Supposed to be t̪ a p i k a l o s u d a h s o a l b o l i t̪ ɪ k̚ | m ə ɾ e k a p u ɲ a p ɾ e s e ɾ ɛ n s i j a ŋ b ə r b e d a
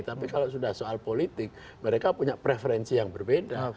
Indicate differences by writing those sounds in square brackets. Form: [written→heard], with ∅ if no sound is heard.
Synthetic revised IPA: t̪ a p i k a l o s u d a h s o a l [b→p] o l i t̪ ɪ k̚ | m ə ɾ e k a p u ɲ a p ɾ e [s→f] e ɾ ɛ n s i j a ŋ b ə r b e d a